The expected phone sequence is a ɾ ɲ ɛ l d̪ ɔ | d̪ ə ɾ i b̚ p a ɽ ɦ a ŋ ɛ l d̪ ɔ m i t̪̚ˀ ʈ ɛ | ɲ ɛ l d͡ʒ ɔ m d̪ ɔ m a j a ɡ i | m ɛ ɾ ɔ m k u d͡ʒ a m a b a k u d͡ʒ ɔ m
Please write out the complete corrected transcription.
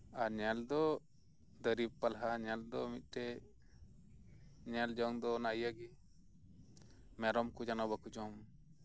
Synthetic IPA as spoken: a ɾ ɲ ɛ l d̪ ɔ | d̪ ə ɾ i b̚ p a l ɦ a ɲ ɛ l d̪ ɔ m i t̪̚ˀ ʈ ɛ | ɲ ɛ l d͡ʒ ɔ ŋ d̪ ɔ n a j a ɡ i | m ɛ ɾ ɔ m k u d͡ʒ a n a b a k u d͡ʒ ɔ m